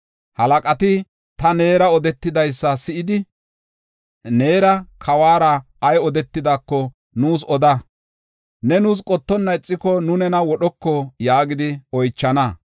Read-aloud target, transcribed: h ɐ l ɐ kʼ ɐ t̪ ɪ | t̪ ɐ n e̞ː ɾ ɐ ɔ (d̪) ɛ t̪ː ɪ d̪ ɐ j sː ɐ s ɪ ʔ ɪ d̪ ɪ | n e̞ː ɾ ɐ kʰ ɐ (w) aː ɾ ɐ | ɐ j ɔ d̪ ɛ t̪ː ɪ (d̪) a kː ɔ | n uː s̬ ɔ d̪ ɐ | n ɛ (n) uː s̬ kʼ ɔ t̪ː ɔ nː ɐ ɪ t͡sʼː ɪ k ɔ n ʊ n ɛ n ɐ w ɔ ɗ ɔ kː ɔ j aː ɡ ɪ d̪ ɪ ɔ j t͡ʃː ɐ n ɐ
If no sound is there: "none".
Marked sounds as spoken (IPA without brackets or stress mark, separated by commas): d̪, w, d̪, n